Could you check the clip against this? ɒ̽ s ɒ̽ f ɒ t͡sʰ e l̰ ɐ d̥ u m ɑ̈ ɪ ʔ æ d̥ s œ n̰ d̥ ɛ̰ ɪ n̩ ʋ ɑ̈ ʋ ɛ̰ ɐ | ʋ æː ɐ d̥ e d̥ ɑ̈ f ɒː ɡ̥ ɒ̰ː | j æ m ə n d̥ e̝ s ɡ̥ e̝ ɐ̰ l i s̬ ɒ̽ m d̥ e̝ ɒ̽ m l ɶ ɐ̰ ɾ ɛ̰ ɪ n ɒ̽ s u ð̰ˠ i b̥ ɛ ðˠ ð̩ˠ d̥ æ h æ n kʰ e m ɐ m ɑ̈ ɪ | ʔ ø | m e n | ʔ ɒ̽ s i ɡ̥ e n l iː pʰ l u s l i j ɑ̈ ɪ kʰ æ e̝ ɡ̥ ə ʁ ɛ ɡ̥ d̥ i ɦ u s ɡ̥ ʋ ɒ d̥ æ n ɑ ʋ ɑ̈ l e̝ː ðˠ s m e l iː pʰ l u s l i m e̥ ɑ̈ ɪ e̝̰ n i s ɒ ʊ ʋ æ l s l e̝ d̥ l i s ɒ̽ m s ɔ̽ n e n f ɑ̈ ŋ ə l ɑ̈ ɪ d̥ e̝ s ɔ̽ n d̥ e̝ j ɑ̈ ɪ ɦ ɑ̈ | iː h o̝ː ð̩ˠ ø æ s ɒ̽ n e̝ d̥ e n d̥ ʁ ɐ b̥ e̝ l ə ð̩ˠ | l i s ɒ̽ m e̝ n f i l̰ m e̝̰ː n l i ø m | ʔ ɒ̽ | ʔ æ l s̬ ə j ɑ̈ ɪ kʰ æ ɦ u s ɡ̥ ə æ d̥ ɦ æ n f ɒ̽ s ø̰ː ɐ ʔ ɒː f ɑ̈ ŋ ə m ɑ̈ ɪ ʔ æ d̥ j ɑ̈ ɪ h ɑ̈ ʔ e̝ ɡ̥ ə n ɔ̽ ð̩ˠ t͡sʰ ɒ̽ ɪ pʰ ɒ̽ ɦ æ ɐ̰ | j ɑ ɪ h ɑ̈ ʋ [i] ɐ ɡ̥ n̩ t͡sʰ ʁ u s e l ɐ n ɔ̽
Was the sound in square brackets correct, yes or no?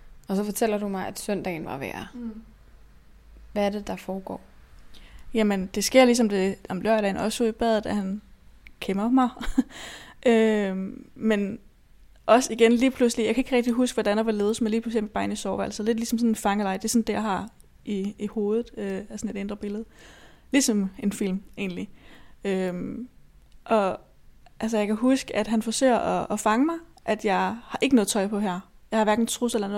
no